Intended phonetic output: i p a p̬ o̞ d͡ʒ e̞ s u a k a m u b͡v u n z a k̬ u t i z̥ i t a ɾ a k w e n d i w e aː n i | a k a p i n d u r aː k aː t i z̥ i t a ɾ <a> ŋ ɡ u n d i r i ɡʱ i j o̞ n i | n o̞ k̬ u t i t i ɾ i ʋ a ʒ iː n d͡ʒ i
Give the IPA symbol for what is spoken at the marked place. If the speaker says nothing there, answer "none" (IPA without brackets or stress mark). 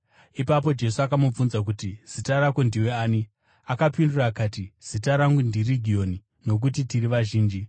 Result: a